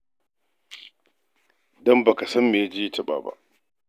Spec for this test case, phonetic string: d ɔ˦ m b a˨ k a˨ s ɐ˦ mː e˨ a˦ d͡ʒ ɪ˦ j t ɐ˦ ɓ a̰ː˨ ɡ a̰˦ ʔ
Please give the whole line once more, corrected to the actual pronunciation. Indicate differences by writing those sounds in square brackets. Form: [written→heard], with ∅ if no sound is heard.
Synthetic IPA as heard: d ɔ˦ m b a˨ k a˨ s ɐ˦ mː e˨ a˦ d͡ʒ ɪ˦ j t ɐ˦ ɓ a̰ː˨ [ɡ→b] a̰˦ ʔ